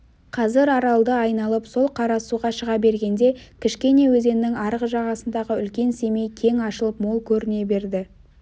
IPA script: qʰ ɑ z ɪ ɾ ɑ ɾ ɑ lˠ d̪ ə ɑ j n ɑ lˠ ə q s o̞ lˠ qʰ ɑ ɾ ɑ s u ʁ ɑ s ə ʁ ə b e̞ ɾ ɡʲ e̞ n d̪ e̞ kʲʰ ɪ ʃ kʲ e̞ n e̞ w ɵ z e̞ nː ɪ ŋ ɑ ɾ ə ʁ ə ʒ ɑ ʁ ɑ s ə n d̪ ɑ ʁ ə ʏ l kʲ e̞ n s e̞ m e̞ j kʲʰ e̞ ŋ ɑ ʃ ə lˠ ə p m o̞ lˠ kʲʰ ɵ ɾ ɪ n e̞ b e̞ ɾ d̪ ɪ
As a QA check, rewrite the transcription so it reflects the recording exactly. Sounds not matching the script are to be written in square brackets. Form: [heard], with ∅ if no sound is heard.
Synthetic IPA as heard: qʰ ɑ z ɪ ɾ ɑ ɾ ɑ lˠ d̪ ə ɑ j n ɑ lˠ ə [p] s o̞ lˠ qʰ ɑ ɾ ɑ s u ʁ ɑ [ʃ] ə ʁ [ɑ] b e̞ ɾ ɡʲ e̞ n d̪ e̞ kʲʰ ɪ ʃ kʲ e̞ n e̞ w ɵ z e̞ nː ɪ ŋ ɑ ɾ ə ʁ ə ʒ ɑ ʁ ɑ s ə n d̪ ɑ ʁ ə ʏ l kʲ e̞ n s e̞ m e̞ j kʲʰ e̞ ŋ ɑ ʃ ə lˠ ə p m o̞ lˠ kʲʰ ɵ ɾ ɪ n e̞ b e̞ ɾ d̪ ɪ